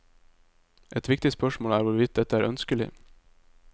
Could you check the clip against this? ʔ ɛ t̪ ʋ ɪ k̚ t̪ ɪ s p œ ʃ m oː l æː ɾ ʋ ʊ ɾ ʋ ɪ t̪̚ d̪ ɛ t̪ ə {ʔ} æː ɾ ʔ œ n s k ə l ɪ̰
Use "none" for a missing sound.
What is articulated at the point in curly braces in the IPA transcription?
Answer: none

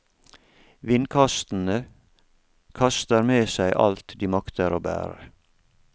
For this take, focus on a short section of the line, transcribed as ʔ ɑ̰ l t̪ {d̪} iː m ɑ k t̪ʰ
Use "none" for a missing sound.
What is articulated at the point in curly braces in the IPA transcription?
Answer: d̪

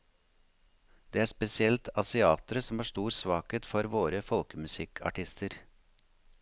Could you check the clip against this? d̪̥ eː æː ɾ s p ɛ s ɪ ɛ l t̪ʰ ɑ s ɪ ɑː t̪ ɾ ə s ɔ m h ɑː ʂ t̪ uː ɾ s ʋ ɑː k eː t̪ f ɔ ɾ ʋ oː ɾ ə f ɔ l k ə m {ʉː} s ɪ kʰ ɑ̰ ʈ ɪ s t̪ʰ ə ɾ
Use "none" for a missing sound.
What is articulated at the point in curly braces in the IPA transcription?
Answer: ʉ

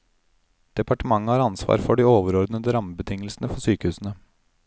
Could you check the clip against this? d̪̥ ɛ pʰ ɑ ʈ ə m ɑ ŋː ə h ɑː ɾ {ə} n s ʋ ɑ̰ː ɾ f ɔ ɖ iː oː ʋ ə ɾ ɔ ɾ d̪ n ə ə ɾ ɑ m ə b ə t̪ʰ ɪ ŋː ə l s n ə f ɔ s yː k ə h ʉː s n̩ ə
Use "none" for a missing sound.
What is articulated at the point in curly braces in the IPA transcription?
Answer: ɑ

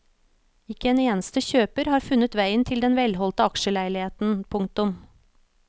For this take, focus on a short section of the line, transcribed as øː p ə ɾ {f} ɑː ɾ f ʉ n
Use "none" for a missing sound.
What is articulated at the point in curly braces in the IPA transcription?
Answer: h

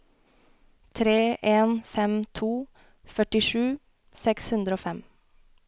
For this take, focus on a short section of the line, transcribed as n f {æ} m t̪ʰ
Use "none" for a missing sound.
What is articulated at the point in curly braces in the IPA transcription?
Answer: ɛ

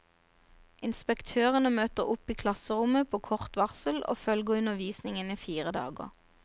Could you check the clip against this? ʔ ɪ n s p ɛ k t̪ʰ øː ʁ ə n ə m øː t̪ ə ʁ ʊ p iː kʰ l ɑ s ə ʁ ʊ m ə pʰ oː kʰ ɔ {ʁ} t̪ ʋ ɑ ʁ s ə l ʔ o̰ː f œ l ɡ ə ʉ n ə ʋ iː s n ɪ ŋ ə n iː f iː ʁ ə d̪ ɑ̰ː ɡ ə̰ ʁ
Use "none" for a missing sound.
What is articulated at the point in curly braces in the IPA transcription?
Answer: ʁ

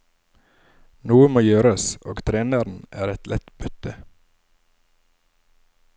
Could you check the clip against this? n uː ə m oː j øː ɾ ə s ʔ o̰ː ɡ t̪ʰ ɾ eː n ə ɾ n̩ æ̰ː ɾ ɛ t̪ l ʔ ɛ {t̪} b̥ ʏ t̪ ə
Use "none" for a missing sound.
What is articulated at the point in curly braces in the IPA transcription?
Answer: t̪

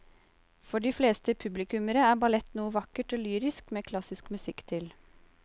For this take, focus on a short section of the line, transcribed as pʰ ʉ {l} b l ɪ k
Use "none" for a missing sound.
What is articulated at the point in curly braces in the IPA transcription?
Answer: none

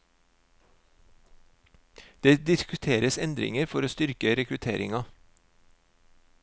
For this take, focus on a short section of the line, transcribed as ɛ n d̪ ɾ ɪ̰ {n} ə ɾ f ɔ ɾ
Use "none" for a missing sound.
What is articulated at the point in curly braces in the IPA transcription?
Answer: ŋ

